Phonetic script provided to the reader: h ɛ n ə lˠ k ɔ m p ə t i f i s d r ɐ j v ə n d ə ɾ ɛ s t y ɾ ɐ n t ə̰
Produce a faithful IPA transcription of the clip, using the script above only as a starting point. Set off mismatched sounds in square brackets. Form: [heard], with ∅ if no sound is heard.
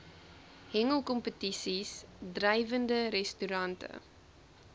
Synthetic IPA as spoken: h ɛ [ŋ] ə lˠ k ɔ m p ə t i [s] i s d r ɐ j v ə n d ə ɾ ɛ s t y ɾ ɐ n t ə̰